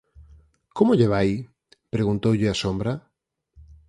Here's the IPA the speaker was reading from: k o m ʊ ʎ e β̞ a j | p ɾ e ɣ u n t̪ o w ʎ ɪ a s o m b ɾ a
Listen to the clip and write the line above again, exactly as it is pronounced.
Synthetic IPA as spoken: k o m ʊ ʎ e β̞ a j | p ɾ e ɣ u n t̪ o w ʎ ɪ a s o m b ɾ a